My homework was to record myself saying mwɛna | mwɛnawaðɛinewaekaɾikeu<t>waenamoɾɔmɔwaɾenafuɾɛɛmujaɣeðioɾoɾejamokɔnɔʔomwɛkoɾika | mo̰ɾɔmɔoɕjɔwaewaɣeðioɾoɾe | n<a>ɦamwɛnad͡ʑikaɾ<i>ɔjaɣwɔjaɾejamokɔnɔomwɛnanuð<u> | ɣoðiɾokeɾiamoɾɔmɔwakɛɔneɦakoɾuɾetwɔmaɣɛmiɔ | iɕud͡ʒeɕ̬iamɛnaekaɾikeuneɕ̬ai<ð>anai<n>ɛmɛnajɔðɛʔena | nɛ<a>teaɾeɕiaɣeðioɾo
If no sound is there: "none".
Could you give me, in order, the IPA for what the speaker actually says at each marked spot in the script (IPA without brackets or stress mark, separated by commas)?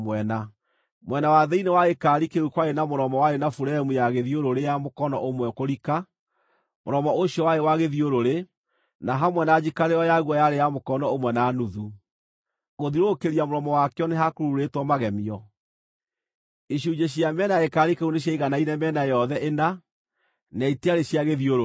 k, a, e, u, ɣ, n, i